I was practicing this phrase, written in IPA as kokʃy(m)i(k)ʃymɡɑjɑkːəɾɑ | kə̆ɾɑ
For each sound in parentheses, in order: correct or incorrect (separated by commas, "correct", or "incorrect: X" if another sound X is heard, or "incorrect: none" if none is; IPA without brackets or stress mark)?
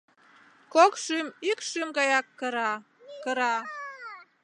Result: correct, correct